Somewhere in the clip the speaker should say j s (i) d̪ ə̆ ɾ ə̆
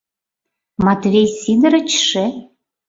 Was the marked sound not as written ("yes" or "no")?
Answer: no